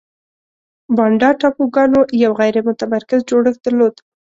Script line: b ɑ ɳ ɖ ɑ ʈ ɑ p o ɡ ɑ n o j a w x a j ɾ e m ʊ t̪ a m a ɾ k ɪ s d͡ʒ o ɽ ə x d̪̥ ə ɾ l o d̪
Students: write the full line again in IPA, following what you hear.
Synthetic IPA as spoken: b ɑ ɳ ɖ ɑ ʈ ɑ p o ɡ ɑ n o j a w ɣ a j ɾ e m ʊ t̪ a m a ɾ k ɪ z d͡ʒ o ɽ ə x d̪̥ ə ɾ l o d̪

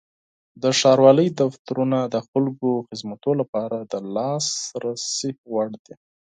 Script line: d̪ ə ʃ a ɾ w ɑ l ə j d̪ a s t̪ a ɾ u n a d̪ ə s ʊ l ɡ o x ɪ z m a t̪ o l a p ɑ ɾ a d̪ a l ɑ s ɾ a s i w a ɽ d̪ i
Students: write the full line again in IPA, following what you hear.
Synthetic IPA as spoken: d̪ ə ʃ ɑ ɾ w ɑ l ə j d̪ a f t̪ a ɾ u n a d̪ ə x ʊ l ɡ o x ɪ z m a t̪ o l a p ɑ ɾ a d̪ ə l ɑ s ɾ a s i w a ɽ d̪ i

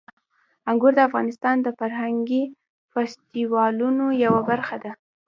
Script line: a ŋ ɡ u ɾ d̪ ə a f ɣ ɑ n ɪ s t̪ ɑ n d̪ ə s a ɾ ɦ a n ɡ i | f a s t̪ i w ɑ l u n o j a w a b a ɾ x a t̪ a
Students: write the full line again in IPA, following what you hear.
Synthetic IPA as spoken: a ŋ ɡ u ɾ d̪ ə a f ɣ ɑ n ɪ s t̪ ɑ n d̪ ə f a ɾ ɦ a ŋ ɡ i | f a s t̪ i w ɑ l u n o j a w a b a ɾ x a d̪ a

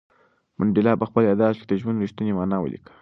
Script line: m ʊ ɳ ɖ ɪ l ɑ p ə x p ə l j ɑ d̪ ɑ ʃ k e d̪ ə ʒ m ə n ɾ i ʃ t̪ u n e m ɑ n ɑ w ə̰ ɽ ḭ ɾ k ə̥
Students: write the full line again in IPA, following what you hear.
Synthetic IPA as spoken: m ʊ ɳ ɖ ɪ l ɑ p ə x p ə l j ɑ d̪ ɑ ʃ k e d̪ ə ʒ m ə n ɾ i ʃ t̪ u n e m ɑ n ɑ w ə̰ l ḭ k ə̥

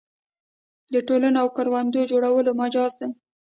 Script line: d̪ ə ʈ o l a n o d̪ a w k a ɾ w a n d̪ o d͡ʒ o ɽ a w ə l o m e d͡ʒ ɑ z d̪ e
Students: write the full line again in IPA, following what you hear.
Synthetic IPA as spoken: d̪ ə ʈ o l a n o a w k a ɾ w a n d̪ o d͡ʒ o ɽ a w ə l o m a d͡ʒ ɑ z d̪ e

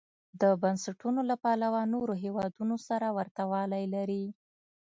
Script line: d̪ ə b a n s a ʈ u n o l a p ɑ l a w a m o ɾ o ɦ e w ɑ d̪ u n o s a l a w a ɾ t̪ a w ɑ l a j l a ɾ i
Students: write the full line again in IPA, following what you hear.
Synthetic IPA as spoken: d̪ ə b a n s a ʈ u n o l a p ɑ l a w a n o ɾ o ɦ e w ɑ d̪ u n o s a ɾ a w a ɾ t̪ a w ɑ l a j l a ɾ i

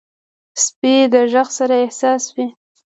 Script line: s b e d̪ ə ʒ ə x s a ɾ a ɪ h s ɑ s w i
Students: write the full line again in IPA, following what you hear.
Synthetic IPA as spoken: s p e d̪ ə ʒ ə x s a ɾ a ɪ h s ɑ s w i

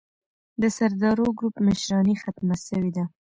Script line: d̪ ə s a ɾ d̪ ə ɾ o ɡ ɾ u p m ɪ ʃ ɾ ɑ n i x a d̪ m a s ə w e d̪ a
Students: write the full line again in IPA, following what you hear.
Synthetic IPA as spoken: d̪ ə s a ɾ d̪ ɑ ɾ o ɡ ɾ u p m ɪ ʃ ɾ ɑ n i x a t̪ m a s ə w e d̪ a

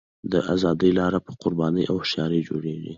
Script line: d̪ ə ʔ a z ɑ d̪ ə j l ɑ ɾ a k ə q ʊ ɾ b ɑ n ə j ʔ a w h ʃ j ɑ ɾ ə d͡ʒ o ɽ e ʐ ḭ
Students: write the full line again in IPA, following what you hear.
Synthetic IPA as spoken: d̪ ə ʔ a z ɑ d̪ ə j l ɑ ɾ a p ə q ʊ ɾ b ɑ n ə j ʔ a w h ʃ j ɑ ɾ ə d͡ʒ o ɽ e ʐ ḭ

